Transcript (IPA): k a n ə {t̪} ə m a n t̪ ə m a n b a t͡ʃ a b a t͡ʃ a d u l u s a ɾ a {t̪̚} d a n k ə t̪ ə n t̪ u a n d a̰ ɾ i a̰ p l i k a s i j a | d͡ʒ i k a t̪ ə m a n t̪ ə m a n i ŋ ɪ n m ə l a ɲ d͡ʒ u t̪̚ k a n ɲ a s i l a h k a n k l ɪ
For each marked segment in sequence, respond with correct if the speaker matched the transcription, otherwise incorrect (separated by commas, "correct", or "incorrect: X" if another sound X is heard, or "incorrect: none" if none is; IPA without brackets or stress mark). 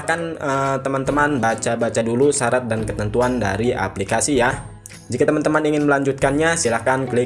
correct, correct